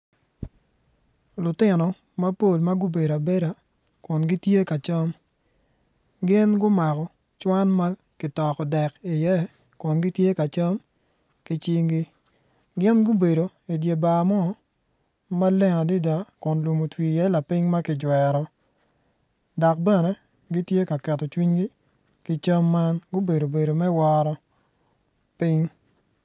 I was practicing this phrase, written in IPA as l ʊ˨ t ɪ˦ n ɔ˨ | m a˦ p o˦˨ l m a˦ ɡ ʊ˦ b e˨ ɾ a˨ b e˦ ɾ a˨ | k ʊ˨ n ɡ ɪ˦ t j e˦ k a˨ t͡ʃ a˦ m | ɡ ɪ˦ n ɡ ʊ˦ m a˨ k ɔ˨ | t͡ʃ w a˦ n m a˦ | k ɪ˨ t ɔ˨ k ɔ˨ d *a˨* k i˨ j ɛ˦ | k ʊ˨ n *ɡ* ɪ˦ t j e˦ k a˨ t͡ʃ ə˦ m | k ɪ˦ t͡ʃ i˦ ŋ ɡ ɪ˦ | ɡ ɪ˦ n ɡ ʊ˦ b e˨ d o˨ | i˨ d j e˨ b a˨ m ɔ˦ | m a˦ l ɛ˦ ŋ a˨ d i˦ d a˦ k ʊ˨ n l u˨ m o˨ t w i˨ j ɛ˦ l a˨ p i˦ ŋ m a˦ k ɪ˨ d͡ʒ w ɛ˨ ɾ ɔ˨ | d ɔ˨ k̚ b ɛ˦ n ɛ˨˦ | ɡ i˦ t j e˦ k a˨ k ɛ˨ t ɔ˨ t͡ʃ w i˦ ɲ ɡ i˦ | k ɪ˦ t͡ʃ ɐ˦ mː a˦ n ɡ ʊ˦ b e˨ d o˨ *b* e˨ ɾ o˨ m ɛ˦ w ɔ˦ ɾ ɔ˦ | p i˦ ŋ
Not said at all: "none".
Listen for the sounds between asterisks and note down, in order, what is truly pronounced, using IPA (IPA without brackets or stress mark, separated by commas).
ɛ˨, ɡ, b